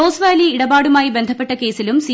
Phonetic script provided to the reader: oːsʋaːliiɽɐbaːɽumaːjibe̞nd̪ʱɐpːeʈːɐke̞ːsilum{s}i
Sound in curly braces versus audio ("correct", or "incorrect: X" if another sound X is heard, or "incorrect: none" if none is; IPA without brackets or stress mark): correct